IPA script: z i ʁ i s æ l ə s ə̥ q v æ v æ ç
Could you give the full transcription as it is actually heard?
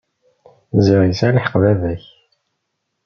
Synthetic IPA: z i ʁ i s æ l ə ħ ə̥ q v æ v æ ç